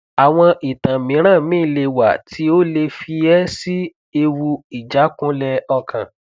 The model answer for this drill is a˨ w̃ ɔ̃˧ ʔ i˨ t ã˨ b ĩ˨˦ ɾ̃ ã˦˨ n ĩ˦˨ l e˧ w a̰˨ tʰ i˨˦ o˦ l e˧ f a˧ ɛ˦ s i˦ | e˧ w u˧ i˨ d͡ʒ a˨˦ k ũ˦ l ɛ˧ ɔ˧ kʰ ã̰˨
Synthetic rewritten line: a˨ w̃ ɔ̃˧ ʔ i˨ t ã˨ m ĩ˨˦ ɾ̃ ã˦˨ m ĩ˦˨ l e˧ w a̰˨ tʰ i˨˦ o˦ l e˧ f i˧ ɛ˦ s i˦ | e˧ w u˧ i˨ d͡ʒ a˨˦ k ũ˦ l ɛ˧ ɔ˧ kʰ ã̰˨